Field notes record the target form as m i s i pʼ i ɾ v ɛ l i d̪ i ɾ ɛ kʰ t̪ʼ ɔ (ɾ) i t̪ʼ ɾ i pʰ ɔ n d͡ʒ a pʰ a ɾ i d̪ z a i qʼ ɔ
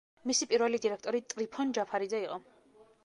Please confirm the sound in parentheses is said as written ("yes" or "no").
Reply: yes